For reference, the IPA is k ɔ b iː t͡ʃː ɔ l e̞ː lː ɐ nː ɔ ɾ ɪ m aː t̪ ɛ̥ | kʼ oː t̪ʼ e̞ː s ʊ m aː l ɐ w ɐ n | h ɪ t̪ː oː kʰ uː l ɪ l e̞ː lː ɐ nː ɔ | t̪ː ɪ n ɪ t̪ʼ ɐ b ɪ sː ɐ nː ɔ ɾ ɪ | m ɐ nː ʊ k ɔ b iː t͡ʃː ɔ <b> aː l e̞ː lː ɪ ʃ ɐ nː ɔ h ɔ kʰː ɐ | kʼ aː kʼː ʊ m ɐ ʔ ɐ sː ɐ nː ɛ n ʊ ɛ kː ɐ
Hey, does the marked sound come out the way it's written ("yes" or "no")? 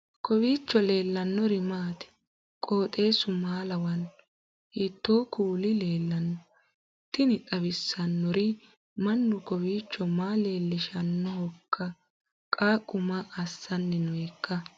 no